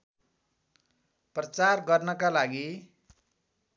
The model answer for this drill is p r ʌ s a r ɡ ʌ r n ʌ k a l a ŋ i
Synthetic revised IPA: p r ʌ t͡s a r ɡ ʌ r n ʌ k a l a ɡ i

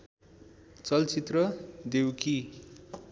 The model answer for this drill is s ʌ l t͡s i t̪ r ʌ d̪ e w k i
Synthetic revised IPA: t͡s ʌ l t͡s i t̪ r ʌ d̪ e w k i

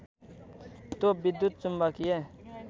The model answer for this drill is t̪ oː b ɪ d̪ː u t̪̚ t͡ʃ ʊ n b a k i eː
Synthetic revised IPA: t̪ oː b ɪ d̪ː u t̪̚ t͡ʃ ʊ m b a k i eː

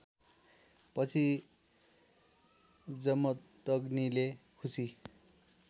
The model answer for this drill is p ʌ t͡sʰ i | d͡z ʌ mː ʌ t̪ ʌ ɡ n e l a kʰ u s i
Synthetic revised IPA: p ʌ t͡sʰ i | d͡z ʌ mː ʌ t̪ ʌ ɡ n i l e kʰ u s i

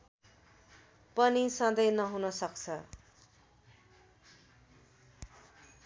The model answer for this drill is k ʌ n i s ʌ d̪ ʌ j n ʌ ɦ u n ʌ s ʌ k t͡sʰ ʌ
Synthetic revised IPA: p ʌ n i s ʌ d̪ ʌ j n ʌ ɦ u n ʌ s ʌ k t͡sʰ ʌ

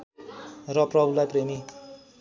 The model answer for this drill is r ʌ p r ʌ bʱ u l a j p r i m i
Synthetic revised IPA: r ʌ p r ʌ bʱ u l a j p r e m i

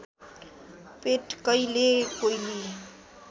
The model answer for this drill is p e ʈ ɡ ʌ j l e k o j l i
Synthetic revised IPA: p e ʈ k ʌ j l e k o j l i

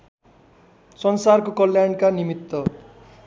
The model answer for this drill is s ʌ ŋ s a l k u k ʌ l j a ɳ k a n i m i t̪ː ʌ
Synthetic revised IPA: s ʌ n s a r k o k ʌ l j a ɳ k a n i m i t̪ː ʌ

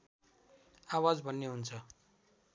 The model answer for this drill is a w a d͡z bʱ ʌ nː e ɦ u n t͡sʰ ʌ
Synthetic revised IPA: a w a d͡z bʱ ʌ nː e ɦ u n t͡sʰ ʌ

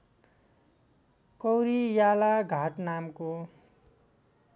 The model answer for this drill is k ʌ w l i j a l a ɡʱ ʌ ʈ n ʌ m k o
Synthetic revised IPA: k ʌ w ɾ i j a l a ɡʱ a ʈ n a m k o

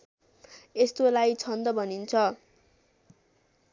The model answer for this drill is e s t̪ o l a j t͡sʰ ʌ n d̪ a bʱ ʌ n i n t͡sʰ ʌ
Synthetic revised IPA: e s t̪ o l a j t͡sʰ ʌ n d̪ ʌ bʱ ʌ n i n t͡sʰ ʌ

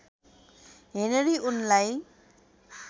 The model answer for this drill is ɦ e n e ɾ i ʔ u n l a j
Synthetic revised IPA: ɦ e n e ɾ i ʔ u n l a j

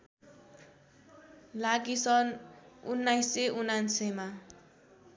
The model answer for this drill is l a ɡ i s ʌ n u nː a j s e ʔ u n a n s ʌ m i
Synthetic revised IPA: l a ɡ i s ʌ n u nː a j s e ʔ u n a n s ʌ m a

